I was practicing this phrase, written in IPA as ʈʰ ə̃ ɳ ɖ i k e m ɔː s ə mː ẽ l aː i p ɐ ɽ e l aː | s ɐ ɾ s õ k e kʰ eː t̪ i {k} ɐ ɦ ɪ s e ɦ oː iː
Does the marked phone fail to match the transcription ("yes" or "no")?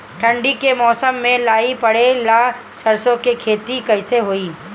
no